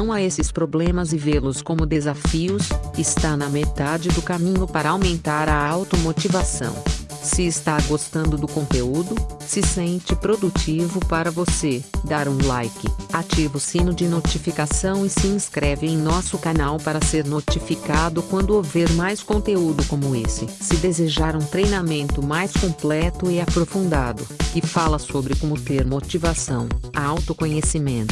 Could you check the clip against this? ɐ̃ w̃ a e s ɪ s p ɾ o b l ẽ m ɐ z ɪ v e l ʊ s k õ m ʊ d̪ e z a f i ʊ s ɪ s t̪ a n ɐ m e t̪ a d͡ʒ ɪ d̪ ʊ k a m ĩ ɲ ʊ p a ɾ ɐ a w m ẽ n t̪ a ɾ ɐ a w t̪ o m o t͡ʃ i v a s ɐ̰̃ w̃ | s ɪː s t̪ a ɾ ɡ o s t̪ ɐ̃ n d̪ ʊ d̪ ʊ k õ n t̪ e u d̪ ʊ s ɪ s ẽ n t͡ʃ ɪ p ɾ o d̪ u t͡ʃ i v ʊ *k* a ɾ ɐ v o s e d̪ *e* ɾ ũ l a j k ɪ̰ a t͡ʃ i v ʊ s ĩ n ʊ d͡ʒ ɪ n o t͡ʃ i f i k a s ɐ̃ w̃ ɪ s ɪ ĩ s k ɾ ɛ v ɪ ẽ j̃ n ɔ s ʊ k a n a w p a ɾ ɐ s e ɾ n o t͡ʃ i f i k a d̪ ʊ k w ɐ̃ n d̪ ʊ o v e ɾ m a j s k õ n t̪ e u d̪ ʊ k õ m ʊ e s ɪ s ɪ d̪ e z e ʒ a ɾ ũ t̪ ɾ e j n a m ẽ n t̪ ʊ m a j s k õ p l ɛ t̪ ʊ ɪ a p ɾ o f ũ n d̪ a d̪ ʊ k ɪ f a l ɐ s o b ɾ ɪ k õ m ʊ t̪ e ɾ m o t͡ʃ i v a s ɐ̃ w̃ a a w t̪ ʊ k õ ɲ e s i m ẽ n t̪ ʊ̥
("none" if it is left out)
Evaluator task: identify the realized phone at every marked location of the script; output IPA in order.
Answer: p, a

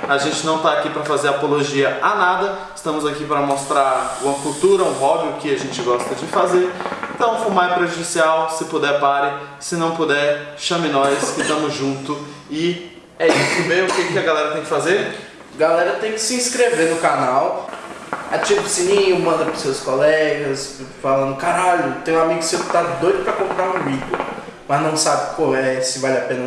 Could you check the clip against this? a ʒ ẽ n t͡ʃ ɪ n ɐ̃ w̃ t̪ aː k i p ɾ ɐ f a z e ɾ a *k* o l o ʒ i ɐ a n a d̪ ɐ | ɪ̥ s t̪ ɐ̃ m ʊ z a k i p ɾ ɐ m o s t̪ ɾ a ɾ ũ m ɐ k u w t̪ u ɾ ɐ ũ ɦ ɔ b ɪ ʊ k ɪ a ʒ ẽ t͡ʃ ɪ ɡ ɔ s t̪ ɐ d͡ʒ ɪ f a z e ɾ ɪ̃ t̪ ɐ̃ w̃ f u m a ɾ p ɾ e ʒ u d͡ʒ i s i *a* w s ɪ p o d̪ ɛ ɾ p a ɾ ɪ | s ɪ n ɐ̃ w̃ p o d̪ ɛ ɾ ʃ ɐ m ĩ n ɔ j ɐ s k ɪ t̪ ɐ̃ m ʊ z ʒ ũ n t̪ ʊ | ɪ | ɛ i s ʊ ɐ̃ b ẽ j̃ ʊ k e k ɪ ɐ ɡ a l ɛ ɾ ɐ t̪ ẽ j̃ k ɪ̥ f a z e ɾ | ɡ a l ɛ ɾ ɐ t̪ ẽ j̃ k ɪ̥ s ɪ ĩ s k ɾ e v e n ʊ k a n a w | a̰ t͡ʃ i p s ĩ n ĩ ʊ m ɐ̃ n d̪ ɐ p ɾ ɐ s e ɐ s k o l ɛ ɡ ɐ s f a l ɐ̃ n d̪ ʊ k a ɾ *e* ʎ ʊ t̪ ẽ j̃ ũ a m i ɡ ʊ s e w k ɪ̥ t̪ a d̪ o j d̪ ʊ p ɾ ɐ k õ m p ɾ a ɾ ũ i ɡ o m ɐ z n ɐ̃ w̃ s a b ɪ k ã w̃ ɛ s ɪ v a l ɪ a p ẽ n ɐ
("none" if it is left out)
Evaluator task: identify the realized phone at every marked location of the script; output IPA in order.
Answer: p, a, a

